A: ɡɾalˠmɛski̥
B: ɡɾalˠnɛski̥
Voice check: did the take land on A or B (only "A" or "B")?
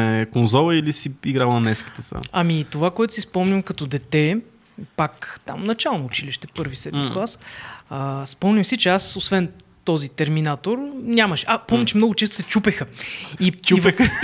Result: B